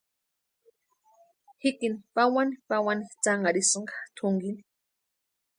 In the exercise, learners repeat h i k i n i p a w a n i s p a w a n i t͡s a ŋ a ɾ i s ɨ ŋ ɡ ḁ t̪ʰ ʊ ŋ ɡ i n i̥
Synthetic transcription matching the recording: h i k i n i p a w a n i p a w a n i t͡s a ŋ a ɾ i s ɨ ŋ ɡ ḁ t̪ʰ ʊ ŋ ɡ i n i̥